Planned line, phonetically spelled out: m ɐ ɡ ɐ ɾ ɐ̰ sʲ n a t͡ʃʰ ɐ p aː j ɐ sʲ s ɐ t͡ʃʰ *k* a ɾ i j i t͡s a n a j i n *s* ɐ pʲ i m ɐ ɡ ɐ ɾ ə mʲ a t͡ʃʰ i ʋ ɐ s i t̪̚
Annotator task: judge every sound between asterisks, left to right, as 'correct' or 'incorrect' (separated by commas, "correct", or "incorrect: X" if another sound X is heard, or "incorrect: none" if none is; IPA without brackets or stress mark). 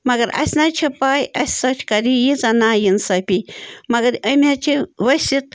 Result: correct, correct